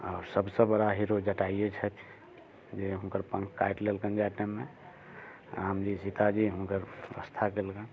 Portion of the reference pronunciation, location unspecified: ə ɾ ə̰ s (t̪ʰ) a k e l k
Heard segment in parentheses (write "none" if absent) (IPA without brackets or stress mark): t̪ʰ